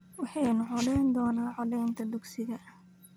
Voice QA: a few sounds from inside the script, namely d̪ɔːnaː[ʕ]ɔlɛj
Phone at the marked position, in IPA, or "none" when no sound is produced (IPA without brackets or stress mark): ʕ